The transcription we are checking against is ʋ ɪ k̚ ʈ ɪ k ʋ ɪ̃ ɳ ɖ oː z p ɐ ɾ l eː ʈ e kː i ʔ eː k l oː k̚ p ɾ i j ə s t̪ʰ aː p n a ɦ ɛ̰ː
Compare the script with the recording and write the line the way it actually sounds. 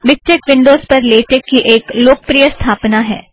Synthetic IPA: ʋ ɪ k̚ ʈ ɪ k ʋ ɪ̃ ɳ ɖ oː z p ɐ ɾ l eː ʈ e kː i ʔ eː k l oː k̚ p ɾ i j ə s t̪ʰ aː p n a ɦ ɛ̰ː